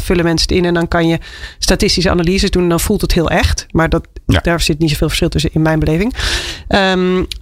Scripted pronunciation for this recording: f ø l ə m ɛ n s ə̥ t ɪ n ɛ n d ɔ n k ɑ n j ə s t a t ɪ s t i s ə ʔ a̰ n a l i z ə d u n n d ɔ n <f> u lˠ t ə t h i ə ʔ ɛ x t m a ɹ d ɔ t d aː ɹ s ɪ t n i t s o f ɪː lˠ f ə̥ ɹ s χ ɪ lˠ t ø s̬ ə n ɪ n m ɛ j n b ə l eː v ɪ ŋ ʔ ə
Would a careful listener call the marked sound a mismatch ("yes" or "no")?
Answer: no